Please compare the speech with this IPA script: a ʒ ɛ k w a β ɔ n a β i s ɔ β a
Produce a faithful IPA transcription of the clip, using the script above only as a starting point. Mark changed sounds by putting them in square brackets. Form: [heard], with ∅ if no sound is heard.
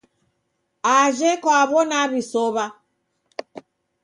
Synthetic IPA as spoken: a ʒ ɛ k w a β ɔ n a β i s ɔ β a

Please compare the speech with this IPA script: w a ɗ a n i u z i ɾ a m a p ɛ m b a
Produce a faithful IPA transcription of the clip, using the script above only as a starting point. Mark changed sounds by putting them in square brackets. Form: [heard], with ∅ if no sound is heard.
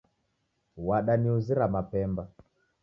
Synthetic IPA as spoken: w a ɗ a n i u z i ɾ a m a p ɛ m b a

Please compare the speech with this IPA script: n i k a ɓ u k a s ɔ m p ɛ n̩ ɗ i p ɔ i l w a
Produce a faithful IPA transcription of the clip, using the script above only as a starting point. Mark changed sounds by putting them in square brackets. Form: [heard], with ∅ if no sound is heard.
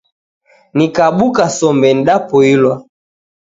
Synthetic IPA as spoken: n i k a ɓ u k a s ɔ m [b] ɛ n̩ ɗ [a] p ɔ i l w a

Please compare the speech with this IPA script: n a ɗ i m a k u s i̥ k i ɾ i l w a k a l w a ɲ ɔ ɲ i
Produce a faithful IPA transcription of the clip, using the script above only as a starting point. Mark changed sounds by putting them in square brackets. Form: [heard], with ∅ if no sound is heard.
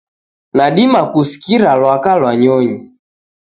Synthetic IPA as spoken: n a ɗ i m a k u s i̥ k i ɾ [a] l w a k a l w a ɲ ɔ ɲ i

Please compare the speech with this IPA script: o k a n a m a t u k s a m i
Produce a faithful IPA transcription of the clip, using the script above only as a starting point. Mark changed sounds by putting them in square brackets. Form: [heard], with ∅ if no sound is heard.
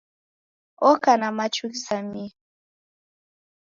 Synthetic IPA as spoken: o k a n a m a [t͡ʃ] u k s a m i

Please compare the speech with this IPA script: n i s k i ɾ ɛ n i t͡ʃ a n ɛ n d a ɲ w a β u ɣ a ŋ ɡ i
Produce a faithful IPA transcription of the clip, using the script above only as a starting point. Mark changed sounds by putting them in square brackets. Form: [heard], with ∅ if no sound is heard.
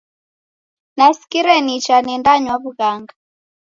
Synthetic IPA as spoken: n [a] s k i ɾ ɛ n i t͡ʃ a n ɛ n d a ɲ w a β u ɣ a ŋ ɡ [a]

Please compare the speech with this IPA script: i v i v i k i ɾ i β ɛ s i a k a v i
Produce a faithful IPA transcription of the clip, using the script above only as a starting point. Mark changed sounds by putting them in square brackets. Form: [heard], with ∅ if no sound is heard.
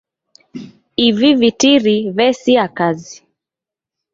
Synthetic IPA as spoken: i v i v i [t] i ɾ i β ɛ s i a k a [z] i

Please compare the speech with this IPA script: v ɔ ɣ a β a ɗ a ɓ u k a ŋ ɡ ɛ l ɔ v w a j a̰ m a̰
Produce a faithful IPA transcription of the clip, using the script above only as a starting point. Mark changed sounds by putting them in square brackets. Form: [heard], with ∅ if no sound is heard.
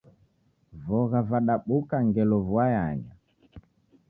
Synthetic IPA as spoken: v ɔ ɣ a [v] a ɗ a ɓ u k a ŋ ɡ ɛ l ɔ v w a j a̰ [ɲ] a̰

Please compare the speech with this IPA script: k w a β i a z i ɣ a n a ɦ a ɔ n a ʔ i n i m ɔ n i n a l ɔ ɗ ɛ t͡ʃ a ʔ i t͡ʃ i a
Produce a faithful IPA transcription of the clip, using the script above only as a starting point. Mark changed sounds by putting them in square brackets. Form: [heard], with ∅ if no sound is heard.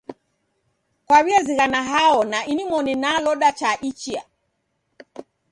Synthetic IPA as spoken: k w a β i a z i ɣ a n a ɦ a ɔ n a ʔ i n i m ɔ n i n a l ɔ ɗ [a] t͡ʃ a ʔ i t͡ʃ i a

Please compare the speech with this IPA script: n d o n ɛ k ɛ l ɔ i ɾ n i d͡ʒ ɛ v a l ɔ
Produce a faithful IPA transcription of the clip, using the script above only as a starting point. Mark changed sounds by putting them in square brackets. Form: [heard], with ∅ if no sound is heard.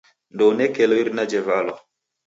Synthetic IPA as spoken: n d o n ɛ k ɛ l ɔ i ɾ n [a] d͡ʒ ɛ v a l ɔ

